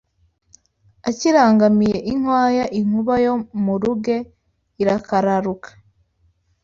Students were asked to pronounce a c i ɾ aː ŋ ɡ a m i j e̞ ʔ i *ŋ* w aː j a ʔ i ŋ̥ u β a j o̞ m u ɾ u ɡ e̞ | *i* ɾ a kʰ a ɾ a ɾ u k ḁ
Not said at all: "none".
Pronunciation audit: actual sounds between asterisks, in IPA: ŋ, i

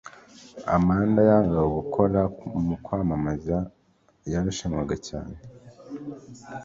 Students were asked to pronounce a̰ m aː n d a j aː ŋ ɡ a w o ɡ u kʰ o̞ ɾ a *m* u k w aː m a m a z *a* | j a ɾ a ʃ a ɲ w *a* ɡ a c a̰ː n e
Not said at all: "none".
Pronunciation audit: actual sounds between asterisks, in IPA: m, a, a

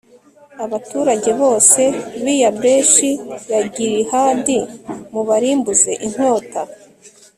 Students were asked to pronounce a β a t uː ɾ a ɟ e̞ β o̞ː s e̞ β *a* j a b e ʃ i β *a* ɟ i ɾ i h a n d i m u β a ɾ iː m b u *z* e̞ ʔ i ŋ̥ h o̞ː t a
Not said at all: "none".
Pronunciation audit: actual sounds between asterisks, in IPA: i, a, z

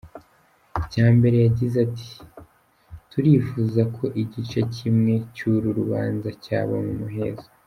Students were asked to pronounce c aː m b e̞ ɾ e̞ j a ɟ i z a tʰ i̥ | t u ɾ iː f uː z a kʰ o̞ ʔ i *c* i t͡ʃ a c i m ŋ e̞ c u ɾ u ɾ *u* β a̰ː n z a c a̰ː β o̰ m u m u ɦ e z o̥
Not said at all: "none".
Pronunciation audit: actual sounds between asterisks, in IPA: ɟ, u

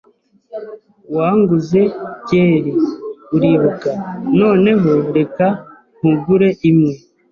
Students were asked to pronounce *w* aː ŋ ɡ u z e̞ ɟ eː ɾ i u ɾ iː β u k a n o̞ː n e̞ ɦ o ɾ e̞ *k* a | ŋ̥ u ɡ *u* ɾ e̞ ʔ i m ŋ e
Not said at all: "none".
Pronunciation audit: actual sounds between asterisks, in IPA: w, k, u

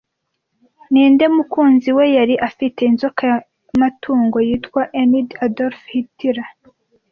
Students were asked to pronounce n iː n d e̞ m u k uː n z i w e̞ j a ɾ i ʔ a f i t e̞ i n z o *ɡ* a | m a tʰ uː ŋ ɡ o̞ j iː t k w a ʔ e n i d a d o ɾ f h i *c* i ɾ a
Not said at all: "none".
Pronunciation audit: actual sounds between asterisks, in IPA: k, t

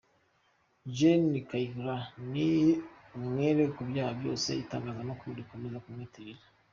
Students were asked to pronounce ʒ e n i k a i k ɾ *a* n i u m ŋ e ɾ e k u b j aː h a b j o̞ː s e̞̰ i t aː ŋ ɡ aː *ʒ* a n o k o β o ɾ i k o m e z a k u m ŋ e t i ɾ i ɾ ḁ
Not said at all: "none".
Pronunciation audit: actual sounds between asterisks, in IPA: a, z

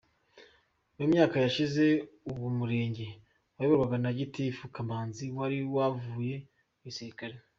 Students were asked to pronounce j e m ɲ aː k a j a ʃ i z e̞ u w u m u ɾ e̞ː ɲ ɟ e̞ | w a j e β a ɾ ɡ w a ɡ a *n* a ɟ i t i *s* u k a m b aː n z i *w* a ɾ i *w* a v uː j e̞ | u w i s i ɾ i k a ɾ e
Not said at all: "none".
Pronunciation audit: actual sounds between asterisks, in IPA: n, f, w, w

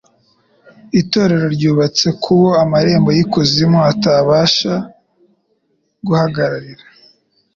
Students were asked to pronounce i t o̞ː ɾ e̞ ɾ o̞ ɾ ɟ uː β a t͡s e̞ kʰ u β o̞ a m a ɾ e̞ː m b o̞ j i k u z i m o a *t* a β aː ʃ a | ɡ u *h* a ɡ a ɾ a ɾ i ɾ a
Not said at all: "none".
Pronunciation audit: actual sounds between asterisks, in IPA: t, h

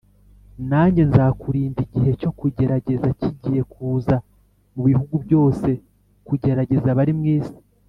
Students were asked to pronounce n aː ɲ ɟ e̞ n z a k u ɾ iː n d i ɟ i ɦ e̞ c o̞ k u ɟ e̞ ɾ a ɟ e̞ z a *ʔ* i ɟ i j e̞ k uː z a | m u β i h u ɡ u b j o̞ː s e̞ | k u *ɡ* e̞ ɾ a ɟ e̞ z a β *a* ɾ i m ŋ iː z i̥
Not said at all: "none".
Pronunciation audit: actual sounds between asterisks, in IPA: c, ɟ, a

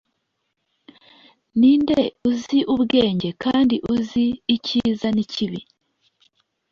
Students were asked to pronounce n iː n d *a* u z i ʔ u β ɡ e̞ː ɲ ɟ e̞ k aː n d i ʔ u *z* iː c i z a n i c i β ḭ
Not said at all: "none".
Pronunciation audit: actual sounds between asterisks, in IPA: e, z

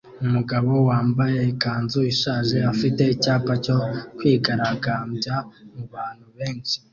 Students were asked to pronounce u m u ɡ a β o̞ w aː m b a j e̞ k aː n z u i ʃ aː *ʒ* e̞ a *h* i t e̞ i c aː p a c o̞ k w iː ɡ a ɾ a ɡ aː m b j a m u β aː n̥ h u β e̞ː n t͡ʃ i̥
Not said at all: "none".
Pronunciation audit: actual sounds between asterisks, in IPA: ʒ, f

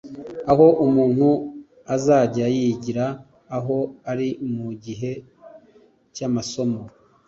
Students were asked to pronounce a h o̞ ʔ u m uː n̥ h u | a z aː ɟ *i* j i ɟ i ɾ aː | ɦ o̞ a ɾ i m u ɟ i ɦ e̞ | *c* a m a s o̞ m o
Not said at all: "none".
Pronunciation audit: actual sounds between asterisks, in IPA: a, c

